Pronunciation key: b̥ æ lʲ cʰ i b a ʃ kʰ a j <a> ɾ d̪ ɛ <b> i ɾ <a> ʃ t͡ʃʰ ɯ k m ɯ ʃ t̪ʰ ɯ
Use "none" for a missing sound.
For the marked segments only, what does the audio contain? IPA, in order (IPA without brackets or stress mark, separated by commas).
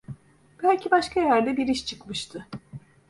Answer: æ, b, i